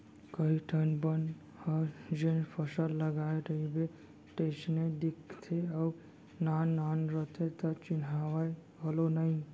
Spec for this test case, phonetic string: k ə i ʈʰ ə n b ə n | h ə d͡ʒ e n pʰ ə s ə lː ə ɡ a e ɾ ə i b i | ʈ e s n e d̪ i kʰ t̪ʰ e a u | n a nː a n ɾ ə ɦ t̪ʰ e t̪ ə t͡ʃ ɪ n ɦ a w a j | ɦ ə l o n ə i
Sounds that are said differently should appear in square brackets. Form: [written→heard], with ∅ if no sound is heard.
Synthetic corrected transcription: k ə i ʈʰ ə n b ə n | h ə d͡ʒ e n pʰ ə s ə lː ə ɡ a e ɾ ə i b [i→e] | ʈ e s n e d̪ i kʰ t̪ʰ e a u | n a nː a n ɾ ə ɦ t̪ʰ e t̪ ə t͡ʃ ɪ n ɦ a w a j | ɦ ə l o n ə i

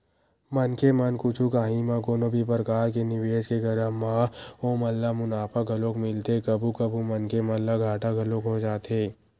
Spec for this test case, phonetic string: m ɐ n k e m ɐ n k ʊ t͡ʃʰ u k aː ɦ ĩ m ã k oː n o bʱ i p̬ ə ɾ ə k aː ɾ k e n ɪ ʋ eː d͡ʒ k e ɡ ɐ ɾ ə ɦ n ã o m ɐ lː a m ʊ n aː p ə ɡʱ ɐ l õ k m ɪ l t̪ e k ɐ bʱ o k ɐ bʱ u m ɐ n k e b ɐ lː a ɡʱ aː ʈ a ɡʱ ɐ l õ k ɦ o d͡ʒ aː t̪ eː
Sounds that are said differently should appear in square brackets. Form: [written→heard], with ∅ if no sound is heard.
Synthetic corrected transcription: m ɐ n k e m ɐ n k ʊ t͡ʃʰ u k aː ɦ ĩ m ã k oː n o bʱ i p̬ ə ɾ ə k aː ɾ k e n ɪ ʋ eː d͡ʒ k e ɡ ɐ ɾ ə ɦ [n→m] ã o m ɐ lː a m ʊ n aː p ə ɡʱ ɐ l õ k m ɪ l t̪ e k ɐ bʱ [o→u] k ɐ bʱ u m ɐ n k e [b→m] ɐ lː a ɡʱ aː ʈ a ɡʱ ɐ l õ k ɦ o d͡ʒ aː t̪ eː

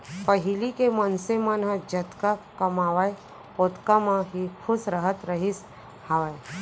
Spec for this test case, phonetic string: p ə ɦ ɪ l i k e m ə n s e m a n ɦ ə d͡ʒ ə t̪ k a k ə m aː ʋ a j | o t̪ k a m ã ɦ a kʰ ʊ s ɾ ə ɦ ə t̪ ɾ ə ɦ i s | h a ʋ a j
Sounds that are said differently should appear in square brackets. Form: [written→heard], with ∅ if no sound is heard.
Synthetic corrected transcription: p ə ɦ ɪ l i k e m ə n s e m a n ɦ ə d͡ʒ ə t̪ k a k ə m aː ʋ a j | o t̪ k a m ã ɦ [a→i] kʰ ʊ s ɾ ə ɦ ə t̪ ɾ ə ɦ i s | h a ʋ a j

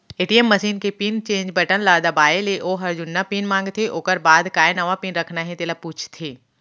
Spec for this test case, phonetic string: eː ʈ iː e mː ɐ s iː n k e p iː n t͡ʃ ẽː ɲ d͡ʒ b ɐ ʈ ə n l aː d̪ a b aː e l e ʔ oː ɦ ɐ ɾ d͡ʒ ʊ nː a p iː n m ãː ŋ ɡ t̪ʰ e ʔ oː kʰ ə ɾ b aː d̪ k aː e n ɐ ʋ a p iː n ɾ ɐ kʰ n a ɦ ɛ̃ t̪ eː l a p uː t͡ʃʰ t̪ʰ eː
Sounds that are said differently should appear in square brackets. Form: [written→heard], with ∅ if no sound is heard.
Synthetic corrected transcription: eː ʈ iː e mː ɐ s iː n k e p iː n t͡ʃ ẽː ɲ d͡ʒ b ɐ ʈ ə n l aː d̪ a b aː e l e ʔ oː ɦ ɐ ɾ d͡ʒ ʊ nː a p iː n m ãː ŋ ɡ t̪ʰ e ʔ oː [kʰ→k] ə ɾ b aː d̪ k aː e n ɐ ʋ a p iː n ɾ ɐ kʰ n a ɦ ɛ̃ t̪ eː l a p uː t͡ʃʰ t̪ʰ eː

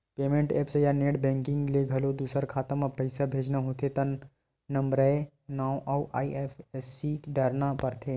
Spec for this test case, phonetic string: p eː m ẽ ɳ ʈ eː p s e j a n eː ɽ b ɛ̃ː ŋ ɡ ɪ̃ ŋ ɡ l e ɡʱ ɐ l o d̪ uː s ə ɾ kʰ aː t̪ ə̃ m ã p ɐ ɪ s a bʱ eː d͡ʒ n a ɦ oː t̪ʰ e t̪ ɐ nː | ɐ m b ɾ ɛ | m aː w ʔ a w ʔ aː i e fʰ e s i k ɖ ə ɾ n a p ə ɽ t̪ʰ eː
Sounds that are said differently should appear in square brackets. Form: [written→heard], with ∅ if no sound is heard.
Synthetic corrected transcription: p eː m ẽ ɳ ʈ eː p s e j a n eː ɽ b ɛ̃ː ŋ [ɡ→k] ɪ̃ ŋ ɡ l e ɡʱ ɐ l o d̪ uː s ə ɾ kʰ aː t̪ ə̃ m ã p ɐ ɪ s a bʱ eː d͡ʒ n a ɦ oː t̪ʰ e t̪ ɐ nː | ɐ m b ɾ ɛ | [m→n] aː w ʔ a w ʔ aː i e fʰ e s i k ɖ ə ɾ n a p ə [ɽ→ɾ] t̪ʰ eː

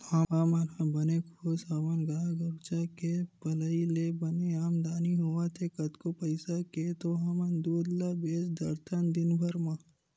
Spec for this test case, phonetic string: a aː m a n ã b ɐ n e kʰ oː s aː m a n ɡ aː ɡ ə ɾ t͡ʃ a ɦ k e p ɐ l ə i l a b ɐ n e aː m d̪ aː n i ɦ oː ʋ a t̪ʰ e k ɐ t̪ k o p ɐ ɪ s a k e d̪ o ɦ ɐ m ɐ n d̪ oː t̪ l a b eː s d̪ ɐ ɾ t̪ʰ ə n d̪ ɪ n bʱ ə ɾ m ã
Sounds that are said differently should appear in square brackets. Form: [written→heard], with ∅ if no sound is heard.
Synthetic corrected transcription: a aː m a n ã b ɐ n e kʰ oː s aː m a n ɡ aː ɡ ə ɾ t͡ʃ a [ɦ→∅] k e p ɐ l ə i l [a→e] b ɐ n e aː m d̪ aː n i ɦ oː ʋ a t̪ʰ e k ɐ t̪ k o p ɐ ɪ s a k e [d̪→t̪] o ɦ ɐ m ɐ n d̪ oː [t̪→d̪] l a b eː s d̪ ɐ ɾ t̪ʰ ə n d̪ ɪ n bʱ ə ɾ m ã

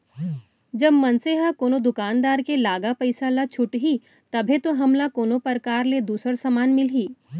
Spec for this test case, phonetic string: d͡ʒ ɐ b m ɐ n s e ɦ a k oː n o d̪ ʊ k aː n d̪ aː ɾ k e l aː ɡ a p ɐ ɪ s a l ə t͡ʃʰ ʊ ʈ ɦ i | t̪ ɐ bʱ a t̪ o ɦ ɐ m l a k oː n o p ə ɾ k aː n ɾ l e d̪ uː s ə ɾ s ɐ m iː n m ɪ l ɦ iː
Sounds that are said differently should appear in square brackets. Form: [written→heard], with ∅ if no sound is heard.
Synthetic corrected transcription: d͡ʒ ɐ b m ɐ n s e ɦ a k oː n o d̪ ʊ k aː n d̪ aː ɾ k e l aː ɡ a p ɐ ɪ s a l [ə→a] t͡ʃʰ ʊ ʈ ɦ i | t̪ ɐ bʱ [a→e] t̪ o ɦ ɐ m l a k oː n o p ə ɾ k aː [n→∅] ɾ l e d̪ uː s ə ɾ s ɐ m [iː→aː] n m ɪ l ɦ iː

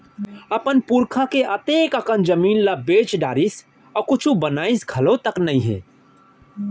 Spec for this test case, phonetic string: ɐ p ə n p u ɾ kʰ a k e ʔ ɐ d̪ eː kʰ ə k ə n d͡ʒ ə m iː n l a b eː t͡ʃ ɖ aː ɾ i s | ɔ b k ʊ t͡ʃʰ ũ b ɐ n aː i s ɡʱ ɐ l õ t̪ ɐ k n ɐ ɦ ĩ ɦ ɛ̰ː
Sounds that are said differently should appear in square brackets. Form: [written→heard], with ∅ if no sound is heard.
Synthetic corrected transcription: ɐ p ə n p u ɾ kʰ a k e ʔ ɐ [d̪→t̪] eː [kʰ→k] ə k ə n d͡ʒ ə m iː n l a b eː t͡ʃ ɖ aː ɾ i s | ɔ [b→∅] k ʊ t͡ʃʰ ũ b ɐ n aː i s ɡʱ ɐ l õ t̪ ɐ k n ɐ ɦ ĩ ɦ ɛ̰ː

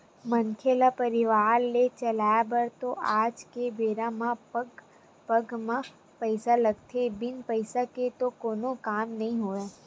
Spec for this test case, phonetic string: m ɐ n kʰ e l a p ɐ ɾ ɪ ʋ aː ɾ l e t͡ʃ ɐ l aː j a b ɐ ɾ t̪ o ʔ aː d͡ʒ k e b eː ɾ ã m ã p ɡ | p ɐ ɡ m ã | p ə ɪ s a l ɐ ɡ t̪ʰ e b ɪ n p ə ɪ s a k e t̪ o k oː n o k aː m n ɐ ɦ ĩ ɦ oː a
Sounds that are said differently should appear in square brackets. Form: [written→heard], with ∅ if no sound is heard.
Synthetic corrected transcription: m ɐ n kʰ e l a p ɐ ɾ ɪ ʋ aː ɾ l e t͡ʃ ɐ l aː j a b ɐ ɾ t̪ o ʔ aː d͡ʒ k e b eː ɾ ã m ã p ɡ | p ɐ ɡ m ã | p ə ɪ s a l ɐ ɡ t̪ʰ e b ɪ n p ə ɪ s a k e t̪ o k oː n o k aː m n ɐ ɦ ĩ ɦ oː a

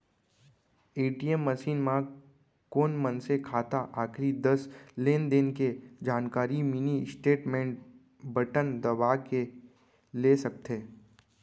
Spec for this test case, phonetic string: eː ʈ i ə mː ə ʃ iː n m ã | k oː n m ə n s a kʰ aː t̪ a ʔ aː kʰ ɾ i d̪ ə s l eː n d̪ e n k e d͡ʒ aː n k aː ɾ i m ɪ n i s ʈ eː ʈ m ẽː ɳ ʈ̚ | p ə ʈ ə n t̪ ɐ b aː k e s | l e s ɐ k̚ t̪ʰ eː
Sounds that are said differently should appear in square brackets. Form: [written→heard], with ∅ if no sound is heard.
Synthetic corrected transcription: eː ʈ i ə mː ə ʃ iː n m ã | k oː n m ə n s [a→e] kʰ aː t̪ a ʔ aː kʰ ɾ i d̪ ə s l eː n d̪ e n k e d͡ʒ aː n k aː ɾ i m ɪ n i s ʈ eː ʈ m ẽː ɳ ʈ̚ | [p→b] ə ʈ ə n [t̪→d̪] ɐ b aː k e [s→∅] | l e s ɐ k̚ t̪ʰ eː

